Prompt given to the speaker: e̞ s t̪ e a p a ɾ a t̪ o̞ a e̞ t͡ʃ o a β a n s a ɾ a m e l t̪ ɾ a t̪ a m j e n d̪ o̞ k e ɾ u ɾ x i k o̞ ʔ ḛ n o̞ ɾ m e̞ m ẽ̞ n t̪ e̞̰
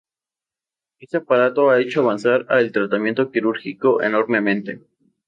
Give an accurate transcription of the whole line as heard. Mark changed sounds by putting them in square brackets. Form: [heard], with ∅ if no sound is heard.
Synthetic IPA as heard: e̞ s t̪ e a p a ɾ a t̪ o̞ a e̞ t͡ʃ o a β a n s a ɾ a [∅] e l t̪ ɾ a t̪ a m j e n [t̪] o̞ k [i] ɾ u ɾ x i k o̞ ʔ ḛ n o̞ ɾ m e̞ m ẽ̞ n t̪ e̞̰